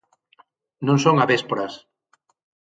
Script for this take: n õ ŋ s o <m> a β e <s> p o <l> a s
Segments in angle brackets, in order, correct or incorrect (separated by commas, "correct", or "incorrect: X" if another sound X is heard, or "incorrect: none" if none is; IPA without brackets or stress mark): incorrect: ŋ, correct, incorrect: ɾ